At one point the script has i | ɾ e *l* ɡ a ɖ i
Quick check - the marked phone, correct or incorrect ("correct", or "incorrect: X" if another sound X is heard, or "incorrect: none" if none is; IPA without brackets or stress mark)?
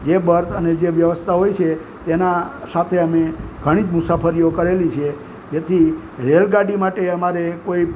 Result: correct